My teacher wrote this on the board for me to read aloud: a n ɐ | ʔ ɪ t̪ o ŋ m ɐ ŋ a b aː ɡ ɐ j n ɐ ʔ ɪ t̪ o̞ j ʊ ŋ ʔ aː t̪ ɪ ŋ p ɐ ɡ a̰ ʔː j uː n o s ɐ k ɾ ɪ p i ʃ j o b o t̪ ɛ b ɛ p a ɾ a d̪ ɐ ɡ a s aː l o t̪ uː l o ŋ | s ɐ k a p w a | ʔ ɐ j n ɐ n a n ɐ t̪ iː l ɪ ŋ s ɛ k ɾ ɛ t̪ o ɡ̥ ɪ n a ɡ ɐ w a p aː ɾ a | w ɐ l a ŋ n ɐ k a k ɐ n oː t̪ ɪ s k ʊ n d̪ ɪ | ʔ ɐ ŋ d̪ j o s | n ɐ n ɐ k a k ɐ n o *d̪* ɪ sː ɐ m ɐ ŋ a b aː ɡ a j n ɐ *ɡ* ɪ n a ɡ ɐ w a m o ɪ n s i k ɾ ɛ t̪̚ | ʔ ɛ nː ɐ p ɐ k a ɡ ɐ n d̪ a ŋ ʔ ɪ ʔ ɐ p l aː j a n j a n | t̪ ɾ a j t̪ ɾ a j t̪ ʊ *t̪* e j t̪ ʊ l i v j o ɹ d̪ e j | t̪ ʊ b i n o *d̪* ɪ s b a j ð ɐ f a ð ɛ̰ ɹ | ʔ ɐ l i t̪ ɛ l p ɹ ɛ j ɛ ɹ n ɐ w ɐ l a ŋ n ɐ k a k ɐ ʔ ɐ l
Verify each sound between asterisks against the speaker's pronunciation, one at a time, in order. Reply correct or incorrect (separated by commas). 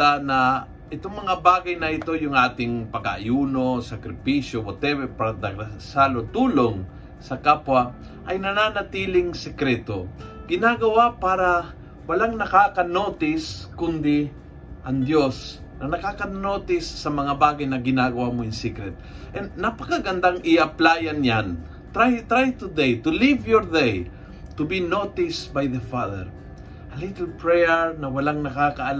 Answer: incorrect, correct, incorrect, incorrect